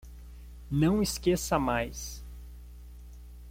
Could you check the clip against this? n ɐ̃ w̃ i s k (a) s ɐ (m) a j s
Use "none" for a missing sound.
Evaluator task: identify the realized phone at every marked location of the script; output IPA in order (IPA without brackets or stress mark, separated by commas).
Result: e, m